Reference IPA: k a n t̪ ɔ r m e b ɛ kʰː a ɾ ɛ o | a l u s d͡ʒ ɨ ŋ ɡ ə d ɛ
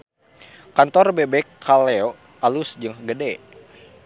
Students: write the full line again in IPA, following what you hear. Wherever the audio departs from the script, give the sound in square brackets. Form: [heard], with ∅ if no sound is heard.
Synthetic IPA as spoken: k a n t̪ ɔ r [b] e b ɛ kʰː a [l] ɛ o | a l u s d͡ʒ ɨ ŋ ɡ ə d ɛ